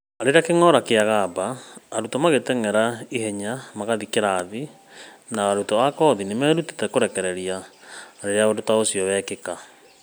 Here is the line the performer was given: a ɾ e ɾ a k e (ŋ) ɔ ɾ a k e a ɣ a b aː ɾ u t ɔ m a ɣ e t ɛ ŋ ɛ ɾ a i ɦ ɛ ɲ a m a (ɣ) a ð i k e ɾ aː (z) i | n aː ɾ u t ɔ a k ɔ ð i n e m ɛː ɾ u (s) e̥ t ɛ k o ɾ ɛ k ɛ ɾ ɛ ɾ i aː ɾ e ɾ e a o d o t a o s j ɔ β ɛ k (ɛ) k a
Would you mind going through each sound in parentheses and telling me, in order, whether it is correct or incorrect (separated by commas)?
correct, correct, incorrect, incorrect, incorrect